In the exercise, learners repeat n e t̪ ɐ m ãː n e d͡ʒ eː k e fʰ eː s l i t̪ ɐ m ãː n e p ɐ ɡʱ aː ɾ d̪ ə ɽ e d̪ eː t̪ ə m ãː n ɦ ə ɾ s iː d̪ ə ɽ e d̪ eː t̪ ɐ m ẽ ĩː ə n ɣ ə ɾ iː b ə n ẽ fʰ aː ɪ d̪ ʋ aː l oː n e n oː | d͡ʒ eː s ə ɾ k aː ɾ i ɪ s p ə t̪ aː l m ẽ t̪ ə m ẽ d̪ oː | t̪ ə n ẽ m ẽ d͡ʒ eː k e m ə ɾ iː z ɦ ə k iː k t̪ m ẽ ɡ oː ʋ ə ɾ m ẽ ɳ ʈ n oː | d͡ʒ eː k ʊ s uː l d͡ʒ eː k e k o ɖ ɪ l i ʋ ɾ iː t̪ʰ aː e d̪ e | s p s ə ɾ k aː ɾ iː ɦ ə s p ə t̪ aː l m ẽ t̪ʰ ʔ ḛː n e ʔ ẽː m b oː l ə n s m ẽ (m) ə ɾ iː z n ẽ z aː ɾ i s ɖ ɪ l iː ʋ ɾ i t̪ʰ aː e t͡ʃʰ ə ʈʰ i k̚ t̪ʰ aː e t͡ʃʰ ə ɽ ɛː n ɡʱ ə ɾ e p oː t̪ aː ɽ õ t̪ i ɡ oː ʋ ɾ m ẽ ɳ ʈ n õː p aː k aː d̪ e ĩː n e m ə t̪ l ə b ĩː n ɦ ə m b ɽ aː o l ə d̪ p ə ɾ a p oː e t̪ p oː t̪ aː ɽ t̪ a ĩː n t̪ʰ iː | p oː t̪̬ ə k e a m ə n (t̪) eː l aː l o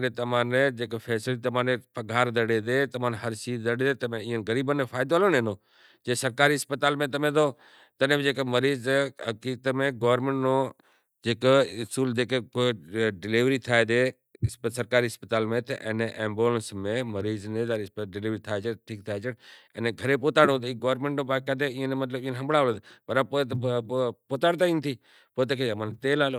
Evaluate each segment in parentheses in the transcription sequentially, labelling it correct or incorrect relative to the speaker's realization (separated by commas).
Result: correct, correct